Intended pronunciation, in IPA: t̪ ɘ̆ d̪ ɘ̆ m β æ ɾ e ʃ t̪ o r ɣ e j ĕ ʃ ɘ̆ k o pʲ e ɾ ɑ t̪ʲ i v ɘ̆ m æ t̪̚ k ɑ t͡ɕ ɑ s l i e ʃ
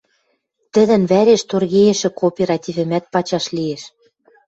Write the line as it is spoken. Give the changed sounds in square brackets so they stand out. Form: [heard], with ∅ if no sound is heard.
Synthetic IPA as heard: t̪ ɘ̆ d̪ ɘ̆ [n] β æ ɾ e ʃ t̪ o r ɣ e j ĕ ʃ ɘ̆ k o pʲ e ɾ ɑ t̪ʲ i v ɘ̆ m æ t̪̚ [p] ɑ t͡ɕ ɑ [ʃ] l i e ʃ